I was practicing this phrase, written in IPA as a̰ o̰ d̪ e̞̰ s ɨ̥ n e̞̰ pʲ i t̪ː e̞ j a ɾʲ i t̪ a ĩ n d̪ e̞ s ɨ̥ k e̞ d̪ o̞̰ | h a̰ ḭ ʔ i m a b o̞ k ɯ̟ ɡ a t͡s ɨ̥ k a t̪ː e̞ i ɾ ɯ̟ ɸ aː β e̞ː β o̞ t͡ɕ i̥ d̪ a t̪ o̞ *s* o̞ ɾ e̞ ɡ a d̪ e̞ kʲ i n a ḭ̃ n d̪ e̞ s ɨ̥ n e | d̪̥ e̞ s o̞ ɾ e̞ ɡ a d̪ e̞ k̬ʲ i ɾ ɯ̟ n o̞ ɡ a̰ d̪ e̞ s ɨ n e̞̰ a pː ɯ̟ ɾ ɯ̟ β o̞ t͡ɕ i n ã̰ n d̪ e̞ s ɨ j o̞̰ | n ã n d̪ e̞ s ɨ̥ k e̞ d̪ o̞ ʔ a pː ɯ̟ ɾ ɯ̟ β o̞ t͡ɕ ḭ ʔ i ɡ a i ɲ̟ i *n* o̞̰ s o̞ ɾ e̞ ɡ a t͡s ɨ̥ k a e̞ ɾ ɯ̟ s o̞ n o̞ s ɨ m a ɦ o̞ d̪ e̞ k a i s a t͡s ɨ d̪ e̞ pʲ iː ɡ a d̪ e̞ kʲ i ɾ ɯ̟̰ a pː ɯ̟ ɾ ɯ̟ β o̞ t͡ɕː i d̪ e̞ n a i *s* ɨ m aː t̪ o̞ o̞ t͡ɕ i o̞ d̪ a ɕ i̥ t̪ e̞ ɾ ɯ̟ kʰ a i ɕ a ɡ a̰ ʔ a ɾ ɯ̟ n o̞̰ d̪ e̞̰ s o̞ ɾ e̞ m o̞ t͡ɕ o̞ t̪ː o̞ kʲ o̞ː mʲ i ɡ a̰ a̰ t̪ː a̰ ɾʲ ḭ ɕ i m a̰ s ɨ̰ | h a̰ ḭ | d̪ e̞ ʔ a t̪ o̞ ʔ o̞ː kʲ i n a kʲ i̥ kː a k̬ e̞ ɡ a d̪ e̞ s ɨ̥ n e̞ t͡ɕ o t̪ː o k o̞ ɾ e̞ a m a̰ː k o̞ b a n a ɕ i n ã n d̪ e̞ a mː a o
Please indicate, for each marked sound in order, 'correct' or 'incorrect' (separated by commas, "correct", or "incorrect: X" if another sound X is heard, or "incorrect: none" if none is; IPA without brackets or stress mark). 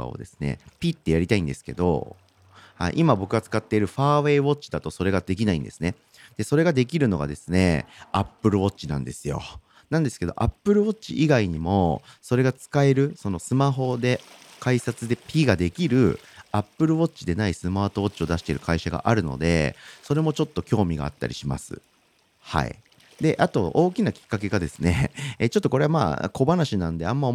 correct, incorrect: m, correct